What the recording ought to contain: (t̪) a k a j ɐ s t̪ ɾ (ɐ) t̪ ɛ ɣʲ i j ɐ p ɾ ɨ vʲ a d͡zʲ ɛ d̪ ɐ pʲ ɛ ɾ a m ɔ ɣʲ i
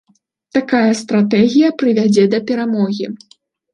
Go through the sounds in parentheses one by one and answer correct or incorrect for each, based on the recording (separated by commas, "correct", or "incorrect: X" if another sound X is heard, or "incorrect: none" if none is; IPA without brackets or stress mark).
correct, incorrect: a